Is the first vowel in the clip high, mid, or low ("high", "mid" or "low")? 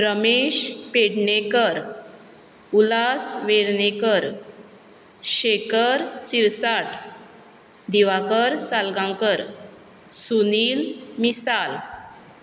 mid